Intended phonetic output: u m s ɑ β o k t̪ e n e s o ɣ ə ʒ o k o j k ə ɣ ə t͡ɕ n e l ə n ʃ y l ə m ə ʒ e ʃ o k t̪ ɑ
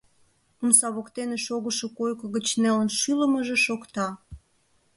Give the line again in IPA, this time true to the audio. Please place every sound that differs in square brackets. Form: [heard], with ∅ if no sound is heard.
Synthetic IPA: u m s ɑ β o k t̪ e n e [ʃ] o ɣ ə [ʃ] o k o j k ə ɣ ə t͡ɕ n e l ə n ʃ y l ə m ə ʒ e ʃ o k t̪ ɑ